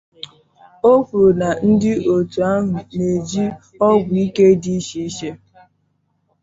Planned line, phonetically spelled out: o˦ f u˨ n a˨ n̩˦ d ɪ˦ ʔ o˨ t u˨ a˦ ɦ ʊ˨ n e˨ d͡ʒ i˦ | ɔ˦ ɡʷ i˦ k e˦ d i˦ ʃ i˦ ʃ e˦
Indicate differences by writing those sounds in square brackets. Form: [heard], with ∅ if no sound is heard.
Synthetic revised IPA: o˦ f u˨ n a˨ n̩˦ d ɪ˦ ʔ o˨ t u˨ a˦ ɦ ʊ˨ n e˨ d͡ʒ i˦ | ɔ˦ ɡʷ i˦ k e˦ d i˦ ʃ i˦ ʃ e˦